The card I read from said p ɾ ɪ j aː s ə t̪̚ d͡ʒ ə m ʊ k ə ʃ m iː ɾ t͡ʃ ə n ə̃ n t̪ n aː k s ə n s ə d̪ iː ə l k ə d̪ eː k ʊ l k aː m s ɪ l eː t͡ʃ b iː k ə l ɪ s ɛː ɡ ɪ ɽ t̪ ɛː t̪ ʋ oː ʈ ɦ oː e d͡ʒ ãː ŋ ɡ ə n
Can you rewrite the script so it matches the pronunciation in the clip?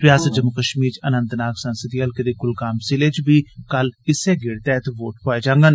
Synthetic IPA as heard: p ɾ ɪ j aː s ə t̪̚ d͡ʒ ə m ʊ k ə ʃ m iː ɾ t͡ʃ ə n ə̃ n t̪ n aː k s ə n s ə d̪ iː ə l k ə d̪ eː k ʊ l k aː m s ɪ l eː t͡ʃ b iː k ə l ɪ s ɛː ɡ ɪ ɽ t̪ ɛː t̪ ʋ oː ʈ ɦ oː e d͡ʒ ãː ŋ ɡ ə n